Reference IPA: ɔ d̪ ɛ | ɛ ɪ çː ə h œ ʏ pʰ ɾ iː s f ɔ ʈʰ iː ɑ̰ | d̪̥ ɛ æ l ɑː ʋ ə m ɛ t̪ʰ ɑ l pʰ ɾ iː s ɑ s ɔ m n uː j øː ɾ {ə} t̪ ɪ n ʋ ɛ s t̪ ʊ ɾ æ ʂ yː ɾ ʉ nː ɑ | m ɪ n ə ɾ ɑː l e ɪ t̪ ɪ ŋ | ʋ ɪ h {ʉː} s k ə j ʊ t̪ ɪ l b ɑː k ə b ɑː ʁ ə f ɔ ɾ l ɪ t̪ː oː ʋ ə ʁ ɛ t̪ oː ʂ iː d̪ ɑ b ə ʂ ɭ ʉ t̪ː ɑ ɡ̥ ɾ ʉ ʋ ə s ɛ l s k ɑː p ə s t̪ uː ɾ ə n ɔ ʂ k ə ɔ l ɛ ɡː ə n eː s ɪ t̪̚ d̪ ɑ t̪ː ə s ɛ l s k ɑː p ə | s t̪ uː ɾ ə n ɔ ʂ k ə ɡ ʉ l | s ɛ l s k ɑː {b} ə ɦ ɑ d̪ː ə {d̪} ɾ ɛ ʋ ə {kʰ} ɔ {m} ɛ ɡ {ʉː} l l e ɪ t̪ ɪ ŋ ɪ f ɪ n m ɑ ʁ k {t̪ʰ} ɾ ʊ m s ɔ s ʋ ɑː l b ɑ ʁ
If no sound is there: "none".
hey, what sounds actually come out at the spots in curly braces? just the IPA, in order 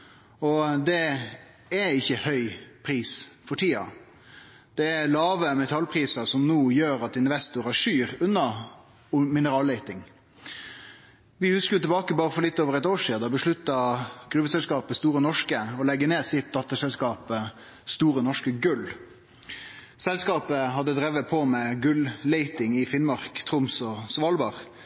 ɑ, ʉ, p, d̪, pʰ, m, ʉ, t̪ʰ

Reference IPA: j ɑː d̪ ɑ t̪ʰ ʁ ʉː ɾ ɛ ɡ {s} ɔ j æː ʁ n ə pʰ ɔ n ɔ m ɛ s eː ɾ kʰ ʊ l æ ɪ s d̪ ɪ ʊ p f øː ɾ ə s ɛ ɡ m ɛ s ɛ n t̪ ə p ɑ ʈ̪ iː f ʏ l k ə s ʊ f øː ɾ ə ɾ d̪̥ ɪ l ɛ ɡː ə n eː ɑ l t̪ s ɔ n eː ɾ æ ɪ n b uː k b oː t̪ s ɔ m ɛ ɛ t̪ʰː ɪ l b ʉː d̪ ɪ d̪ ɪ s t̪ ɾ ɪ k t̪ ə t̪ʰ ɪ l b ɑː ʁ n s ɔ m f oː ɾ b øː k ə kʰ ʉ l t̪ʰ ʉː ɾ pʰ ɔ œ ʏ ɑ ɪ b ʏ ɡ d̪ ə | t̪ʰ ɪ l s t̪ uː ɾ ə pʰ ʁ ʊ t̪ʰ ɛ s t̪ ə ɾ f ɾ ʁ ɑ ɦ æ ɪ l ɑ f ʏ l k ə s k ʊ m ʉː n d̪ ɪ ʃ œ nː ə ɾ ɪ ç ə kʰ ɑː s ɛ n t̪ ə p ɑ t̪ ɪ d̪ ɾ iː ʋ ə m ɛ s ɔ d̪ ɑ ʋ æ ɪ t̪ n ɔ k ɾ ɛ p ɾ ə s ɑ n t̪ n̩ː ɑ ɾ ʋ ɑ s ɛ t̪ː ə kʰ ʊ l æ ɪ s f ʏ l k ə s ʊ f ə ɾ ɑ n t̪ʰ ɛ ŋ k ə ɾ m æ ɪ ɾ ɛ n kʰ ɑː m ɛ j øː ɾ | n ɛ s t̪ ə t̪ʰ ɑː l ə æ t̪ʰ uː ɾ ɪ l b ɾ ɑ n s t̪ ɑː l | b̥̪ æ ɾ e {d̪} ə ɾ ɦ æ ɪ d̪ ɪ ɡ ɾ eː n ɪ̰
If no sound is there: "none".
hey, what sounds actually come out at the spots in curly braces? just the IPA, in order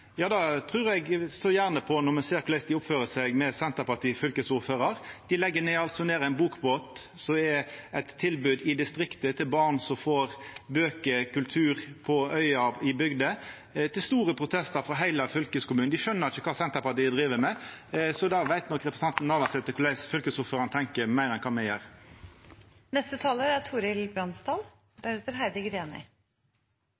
s, t̪

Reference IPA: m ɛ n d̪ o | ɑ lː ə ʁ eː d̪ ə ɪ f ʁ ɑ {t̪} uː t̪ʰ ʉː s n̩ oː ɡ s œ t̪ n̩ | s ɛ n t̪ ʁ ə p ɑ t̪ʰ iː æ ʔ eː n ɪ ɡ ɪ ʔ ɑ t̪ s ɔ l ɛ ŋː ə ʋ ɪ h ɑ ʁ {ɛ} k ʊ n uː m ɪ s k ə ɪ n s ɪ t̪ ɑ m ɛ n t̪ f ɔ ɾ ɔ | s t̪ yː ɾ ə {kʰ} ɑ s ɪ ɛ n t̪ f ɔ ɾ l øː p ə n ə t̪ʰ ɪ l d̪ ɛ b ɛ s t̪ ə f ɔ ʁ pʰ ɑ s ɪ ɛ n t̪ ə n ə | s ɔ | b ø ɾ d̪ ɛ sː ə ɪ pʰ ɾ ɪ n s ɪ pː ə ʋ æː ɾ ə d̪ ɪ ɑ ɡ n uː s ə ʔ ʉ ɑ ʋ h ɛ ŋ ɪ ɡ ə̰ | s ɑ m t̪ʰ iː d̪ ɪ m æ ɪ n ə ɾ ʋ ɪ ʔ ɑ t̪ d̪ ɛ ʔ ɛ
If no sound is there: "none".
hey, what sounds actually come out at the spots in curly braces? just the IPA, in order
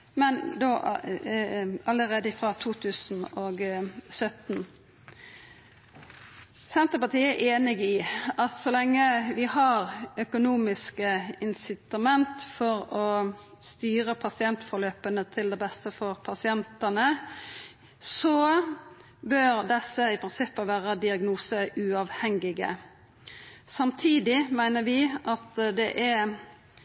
t̪ʰ, œ, pʰ

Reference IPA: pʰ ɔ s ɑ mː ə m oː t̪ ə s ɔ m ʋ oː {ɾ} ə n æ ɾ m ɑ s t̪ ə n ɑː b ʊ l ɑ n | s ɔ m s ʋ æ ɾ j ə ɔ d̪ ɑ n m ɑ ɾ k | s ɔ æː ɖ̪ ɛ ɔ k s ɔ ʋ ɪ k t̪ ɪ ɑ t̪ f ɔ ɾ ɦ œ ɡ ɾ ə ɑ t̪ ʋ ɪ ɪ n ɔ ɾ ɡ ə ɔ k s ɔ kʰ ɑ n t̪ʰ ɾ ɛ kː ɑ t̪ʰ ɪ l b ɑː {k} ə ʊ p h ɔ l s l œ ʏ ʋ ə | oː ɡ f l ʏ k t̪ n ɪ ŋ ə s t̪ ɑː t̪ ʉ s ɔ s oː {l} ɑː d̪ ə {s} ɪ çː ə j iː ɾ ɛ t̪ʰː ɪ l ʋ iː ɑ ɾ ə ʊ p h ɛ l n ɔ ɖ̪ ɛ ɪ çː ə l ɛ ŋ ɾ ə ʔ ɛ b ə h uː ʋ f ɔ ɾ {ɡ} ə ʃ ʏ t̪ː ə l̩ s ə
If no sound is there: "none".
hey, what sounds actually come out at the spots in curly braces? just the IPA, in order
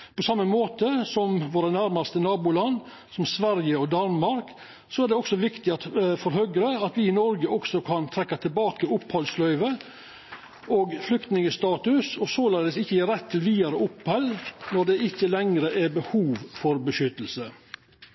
ɾ, k, l, s, b

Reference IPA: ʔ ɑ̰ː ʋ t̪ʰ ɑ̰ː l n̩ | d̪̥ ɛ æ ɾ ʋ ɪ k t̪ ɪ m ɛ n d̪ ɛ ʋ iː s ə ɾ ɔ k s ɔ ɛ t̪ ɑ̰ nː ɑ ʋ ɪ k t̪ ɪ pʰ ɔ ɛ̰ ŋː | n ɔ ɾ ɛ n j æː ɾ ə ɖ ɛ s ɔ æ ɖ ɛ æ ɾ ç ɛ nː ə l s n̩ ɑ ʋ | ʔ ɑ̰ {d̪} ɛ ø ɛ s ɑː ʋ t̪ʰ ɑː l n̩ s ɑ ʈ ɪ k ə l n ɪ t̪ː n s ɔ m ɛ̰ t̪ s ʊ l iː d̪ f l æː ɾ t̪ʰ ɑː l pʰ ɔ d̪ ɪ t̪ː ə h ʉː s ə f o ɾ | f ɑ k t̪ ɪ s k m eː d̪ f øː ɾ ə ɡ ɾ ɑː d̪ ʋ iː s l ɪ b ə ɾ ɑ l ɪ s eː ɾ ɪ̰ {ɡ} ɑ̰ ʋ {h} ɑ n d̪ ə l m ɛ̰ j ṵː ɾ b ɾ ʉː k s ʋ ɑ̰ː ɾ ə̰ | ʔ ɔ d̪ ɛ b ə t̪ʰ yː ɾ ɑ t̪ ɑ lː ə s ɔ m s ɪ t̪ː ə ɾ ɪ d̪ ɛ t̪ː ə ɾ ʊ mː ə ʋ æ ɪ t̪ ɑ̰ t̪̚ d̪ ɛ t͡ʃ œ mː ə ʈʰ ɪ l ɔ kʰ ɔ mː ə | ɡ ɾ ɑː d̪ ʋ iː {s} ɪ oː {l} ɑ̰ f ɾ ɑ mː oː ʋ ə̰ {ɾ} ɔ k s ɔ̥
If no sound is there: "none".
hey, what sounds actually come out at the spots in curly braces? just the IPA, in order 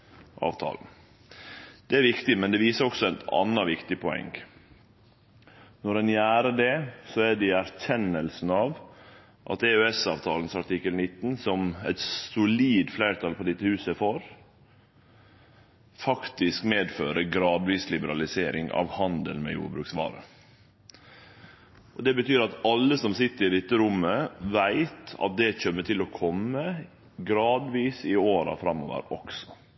t̪, ŋ, h, s, ɾ, ɾ

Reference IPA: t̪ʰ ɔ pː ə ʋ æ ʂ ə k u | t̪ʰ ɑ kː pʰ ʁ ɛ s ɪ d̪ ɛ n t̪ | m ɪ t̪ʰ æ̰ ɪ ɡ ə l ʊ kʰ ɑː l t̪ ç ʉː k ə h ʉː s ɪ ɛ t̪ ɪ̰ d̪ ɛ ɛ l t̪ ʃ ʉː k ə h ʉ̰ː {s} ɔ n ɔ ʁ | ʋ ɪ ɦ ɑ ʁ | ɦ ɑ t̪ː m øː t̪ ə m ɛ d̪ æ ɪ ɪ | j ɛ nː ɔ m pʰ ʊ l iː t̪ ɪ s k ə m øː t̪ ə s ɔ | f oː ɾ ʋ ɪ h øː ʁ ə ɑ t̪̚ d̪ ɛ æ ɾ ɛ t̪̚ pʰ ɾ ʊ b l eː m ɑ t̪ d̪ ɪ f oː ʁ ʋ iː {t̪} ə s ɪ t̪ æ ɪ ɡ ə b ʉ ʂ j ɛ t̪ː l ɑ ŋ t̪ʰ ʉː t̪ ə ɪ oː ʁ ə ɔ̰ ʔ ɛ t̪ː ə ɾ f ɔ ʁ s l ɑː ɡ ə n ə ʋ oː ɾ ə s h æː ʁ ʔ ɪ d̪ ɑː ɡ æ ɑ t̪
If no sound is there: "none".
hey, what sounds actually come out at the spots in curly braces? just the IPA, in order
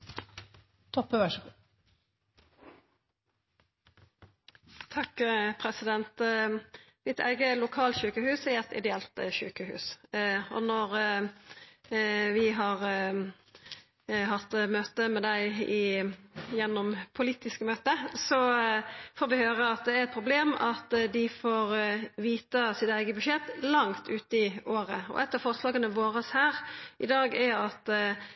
s, t̪

